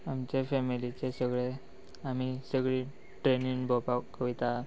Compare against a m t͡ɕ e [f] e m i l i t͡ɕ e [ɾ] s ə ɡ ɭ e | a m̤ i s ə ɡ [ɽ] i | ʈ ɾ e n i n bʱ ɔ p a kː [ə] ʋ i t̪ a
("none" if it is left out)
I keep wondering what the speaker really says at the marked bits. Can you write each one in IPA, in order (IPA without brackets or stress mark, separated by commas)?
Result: f, none, ɭ, ə